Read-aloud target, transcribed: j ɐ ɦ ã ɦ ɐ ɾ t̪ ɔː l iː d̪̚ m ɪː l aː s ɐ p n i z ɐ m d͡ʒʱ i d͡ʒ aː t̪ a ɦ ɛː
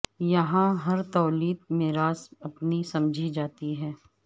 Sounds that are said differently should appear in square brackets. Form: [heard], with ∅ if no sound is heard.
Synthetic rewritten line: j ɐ ɦ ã ɦ ɐ ɾ t̪ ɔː l iː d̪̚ m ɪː [ɾ] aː s ɐ p n i [s] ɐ m d͡ʒʱ i d͡ʒ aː t̪ [i] ɦ ɛː